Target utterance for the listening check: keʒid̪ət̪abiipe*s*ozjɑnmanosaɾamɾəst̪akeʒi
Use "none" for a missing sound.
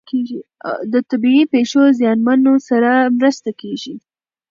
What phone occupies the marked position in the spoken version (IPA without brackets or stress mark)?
ʃ